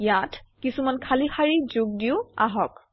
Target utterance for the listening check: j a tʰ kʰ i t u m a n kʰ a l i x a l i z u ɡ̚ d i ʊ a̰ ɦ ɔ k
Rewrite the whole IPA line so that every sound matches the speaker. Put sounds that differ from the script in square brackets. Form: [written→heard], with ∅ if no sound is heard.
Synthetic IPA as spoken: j a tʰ [kʰ→k] i [t→s] u m a n kʰ a l i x a [l→ɹ] i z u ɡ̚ d i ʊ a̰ ɦ ɔ k